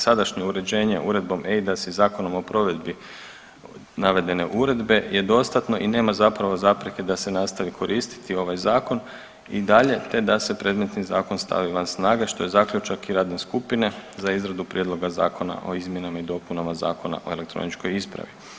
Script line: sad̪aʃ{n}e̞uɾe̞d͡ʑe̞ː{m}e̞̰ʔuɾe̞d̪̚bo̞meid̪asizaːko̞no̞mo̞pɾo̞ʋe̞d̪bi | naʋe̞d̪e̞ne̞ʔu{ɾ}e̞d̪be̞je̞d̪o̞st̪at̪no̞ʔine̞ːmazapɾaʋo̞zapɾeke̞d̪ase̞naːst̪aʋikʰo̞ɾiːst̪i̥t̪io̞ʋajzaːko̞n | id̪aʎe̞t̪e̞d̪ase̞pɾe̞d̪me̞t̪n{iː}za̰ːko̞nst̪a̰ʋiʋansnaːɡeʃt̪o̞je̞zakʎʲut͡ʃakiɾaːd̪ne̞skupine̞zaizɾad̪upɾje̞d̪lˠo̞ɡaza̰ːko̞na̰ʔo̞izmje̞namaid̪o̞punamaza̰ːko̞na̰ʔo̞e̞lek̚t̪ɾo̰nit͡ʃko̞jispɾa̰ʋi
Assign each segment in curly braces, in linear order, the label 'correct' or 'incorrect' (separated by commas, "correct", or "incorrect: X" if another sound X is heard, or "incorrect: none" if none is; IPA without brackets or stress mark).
incorrect: ɲ, incorrect: ɲ, correct, incorrect: i